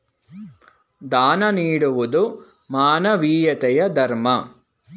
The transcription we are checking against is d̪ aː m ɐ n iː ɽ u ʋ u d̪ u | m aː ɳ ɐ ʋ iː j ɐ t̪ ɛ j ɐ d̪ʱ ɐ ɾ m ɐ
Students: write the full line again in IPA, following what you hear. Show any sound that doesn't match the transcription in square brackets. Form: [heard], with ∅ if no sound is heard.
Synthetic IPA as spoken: d̪ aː [n] ɐ n iː ɽ u ʋ u d̪ u | m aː [n] ɐ ʋ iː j ɐ t̪ ɛ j ɐ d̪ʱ ɐ ɾ m ɐ